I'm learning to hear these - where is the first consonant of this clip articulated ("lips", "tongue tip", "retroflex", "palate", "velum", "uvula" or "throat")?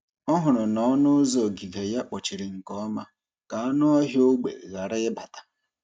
throat